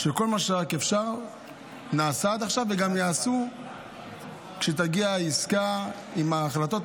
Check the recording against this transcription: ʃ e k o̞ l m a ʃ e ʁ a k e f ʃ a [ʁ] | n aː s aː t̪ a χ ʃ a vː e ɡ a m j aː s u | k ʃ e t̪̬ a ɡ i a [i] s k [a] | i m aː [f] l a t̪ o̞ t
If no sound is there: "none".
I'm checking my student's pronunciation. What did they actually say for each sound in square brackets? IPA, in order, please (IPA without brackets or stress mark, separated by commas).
ʁ, i, a, χ